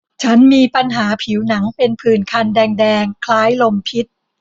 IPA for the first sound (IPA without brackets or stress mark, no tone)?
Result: t͡ɕʰ